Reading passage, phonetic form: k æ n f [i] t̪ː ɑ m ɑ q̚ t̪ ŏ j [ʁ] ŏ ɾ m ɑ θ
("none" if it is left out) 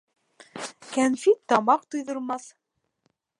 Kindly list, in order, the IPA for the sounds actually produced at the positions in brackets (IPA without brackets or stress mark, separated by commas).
i, ð